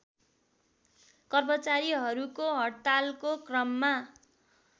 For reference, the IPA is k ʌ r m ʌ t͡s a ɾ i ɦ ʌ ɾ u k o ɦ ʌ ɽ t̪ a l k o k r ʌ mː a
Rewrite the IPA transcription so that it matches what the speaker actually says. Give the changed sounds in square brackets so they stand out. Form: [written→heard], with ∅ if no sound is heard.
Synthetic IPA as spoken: k ʌ r m ʌ t͡s a ɾ i ɦ ʌ ɾ u k o ɦ ʌ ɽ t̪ a l k o k r ʌ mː a